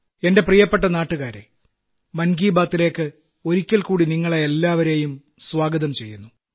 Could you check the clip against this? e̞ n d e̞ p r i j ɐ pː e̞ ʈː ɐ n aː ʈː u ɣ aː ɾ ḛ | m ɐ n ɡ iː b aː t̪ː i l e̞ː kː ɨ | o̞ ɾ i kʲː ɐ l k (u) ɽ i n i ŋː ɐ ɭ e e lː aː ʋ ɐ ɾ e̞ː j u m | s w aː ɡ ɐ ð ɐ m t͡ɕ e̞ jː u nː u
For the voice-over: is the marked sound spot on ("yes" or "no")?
no